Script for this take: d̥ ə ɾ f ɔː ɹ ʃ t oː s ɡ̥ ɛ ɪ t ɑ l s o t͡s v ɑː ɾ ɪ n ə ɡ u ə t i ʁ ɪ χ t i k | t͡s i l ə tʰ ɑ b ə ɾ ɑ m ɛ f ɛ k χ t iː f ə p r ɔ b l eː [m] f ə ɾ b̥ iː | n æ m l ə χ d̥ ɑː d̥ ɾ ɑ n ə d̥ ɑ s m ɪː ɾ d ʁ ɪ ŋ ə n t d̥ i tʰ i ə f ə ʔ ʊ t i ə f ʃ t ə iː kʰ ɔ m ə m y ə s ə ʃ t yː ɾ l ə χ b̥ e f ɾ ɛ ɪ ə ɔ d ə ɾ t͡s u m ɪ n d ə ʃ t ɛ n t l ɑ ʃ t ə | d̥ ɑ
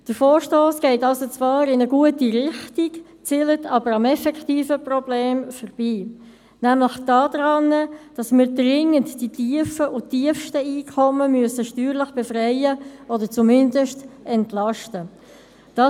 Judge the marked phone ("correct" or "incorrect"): correct